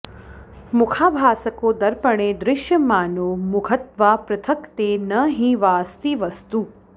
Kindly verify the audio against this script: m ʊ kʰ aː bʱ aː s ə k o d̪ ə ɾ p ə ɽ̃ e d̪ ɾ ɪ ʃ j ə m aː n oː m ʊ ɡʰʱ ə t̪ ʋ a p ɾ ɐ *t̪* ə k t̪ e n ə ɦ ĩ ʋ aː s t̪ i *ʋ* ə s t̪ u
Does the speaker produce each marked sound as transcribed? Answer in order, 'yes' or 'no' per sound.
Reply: no, yes

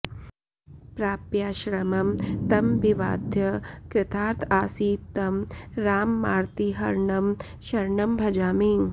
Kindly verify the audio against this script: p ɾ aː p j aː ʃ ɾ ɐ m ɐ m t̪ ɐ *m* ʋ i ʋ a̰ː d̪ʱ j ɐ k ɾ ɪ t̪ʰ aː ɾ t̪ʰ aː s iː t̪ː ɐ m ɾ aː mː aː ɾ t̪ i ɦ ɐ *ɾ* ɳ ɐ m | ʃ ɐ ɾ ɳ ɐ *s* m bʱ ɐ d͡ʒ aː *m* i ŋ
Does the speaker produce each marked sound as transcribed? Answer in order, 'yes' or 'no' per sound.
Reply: yes, yes, no, yes

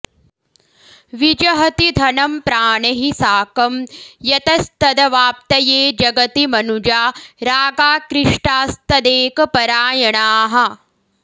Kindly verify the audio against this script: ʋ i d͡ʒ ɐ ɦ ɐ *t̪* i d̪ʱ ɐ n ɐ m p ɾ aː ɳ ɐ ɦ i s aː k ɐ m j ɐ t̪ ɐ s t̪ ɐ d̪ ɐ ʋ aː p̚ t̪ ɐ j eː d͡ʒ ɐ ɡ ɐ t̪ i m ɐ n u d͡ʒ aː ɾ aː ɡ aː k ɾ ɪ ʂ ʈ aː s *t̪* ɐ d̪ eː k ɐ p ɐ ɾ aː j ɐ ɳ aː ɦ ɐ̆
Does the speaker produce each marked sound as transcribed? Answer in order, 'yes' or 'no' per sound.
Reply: yes, yes

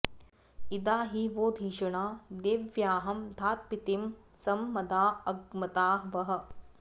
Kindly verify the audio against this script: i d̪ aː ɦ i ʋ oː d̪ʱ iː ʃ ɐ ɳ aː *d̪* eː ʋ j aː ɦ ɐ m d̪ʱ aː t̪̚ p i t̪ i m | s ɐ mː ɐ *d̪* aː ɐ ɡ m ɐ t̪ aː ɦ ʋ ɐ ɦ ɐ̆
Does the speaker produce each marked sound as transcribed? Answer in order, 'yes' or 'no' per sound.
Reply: yes, yes

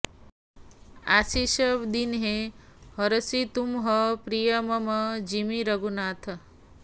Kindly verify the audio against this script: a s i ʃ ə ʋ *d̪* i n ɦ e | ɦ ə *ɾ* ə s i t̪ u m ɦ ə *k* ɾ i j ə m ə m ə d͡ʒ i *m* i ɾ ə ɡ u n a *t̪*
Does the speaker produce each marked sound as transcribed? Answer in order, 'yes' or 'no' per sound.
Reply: yes, yes, no, yes, no

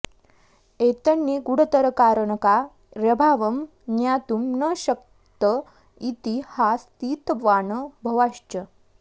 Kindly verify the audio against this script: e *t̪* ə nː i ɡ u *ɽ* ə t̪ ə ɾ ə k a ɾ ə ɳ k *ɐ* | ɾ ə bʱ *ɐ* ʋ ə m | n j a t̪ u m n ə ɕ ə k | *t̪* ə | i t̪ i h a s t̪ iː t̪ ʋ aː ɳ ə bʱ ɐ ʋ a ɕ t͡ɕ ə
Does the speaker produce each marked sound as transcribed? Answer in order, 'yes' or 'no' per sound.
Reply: yes, yes, no, no, yes

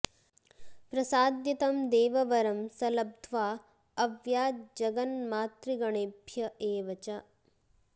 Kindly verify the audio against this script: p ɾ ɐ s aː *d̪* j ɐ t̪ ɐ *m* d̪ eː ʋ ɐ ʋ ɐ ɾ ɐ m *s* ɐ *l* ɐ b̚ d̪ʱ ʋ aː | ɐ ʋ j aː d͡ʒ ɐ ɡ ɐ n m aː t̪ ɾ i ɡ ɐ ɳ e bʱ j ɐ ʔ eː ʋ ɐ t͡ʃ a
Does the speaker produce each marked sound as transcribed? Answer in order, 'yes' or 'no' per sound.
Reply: yes, yes, yes, yes

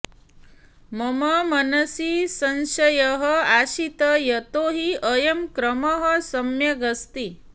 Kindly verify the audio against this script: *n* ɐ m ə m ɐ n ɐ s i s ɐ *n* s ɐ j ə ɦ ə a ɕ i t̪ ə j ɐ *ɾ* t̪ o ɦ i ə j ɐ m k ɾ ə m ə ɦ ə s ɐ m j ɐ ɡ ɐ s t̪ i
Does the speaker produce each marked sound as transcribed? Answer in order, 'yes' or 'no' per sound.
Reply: no, yes, no

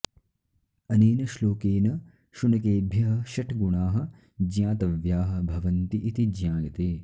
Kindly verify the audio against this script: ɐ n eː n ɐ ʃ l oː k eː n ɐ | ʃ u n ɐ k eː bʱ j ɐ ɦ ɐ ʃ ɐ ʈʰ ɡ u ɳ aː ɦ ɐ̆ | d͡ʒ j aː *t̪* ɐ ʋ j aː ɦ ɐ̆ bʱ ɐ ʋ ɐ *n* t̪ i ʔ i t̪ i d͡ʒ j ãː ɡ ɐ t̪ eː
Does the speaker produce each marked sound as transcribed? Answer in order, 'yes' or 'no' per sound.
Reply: yes, yes

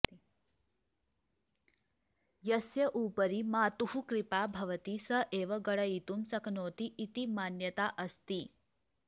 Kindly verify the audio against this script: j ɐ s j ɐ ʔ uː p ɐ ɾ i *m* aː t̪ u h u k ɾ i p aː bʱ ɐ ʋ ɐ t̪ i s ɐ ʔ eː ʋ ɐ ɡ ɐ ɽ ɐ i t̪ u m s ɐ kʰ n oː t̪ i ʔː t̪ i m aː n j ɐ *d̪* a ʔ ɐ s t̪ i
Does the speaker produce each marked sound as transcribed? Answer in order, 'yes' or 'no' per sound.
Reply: yes, no

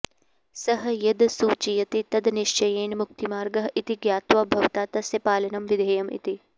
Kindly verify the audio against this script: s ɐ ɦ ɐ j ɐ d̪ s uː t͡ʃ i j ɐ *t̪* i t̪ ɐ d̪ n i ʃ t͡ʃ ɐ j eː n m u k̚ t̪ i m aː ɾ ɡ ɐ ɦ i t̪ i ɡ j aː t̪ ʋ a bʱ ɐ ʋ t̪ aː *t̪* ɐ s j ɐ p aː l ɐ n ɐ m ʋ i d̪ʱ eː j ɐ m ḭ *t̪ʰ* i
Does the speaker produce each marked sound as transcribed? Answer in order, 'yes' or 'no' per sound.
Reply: yes, yes, no

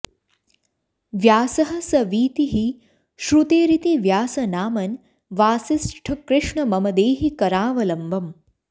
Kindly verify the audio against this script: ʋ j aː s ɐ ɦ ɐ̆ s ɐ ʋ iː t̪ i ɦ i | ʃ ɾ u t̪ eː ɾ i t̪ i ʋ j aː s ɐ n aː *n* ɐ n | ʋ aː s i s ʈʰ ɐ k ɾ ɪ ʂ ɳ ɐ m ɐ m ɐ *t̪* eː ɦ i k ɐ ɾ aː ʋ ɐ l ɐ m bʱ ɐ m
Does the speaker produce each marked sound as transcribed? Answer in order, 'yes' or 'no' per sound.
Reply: no, no

